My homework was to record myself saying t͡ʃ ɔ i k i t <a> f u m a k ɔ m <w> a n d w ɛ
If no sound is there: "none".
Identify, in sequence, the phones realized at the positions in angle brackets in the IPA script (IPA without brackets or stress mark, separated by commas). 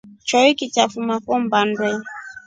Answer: a, b